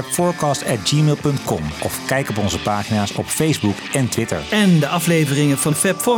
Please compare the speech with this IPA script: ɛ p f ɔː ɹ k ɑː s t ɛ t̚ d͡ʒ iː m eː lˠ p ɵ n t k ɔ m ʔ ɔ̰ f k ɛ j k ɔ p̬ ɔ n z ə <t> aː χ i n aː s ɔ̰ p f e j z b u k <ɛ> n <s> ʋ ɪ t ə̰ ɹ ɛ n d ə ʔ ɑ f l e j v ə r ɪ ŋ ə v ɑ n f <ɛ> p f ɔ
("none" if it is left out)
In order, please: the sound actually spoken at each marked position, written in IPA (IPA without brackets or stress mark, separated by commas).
p, ɛ, t, ɛ